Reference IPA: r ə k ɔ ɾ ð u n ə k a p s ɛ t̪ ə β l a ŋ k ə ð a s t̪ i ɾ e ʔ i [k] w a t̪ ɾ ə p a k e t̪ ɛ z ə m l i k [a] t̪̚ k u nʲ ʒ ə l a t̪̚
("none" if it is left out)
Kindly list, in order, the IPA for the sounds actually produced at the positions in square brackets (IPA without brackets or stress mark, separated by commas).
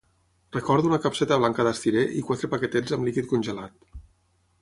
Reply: k, i